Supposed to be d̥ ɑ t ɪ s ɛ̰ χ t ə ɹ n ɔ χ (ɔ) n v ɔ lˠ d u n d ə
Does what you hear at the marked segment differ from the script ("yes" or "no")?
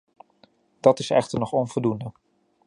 no